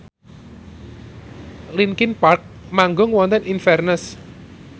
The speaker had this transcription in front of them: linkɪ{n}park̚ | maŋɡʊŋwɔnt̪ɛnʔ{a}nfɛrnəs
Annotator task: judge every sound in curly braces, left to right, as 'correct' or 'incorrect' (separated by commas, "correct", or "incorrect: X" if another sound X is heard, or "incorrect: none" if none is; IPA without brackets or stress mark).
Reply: correct, incorrect: i